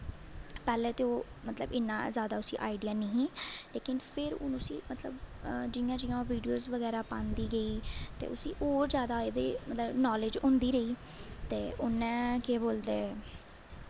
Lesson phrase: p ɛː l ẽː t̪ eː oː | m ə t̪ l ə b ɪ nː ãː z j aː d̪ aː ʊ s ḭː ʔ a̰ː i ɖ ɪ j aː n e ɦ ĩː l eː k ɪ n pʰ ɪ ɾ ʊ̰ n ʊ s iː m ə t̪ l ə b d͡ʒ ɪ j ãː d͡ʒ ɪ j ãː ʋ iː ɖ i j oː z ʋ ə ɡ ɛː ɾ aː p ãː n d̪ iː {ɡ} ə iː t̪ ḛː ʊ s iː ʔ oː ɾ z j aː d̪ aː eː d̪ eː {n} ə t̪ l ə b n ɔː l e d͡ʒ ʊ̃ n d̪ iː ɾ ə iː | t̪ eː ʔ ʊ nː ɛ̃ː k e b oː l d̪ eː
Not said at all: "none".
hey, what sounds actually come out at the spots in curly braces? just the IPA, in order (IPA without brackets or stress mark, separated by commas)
ɡ, m